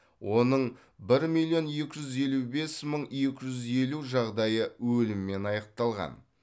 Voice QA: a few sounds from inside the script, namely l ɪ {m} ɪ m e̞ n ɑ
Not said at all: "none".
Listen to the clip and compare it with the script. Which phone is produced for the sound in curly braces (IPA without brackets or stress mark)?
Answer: m